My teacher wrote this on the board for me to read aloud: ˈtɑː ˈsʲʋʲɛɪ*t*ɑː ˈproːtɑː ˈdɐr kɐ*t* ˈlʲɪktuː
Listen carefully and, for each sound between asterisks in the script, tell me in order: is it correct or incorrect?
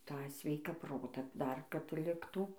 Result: incorrect, correct

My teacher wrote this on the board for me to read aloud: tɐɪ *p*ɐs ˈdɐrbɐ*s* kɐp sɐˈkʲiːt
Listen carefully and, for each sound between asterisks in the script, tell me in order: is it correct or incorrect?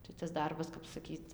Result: incorrect, correct

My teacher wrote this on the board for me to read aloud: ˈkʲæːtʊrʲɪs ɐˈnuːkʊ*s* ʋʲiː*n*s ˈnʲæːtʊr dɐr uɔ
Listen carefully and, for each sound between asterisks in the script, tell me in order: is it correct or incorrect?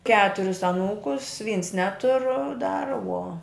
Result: correct, correct

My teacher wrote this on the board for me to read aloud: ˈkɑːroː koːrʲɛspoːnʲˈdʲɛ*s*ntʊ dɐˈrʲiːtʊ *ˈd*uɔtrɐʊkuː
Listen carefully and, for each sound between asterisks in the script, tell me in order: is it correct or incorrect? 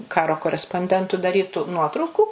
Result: incorrect, incorrect

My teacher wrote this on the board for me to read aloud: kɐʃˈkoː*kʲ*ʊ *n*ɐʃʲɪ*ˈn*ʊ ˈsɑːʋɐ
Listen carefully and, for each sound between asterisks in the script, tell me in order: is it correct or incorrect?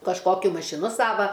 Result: correct, incorrect, correct

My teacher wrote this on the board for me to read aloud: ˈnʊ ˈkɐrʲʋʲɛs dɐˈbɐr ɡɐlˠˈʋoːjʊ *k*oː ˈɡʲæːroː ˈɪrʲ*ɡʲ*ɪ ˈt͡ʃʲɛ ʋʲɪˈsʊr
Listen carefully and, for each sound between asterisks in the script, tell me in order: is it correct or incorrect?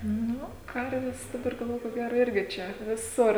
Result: correct, correct

